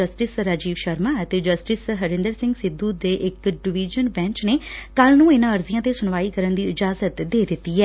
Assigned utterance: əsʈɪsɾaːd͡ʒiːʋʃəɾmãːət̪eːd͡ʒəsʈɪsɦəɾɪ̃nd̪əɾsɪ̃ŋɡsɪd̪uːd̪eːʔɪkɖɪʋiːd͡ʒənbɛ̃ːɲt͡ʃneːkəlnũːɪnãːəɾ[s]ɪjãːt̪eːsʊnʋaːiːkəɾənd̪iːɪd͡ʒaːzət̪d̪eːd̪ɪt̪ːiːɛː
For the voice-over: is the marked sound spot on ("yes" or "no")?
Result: no